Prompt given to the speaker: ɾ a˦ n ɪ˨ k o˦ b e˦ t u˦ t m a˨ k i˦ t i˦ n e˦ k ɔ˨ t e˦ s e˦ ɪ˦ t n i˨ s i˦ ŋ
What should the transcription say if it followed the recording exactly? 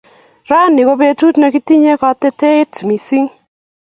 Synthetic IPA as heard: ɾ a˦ n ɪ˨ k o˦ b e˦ t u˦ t n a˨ k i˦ t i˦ ɲ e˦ k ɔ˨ t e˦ t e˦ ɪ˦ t m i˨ s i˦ ŋ